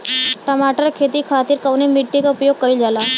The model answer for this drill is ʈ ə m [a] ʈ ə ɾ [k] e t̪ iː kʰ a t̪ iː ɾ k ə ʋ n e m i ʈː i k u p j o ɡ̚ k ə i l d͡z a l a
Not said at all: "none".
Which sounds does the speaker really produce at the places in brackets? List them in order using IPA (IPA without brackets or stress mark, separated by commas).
a, kʰ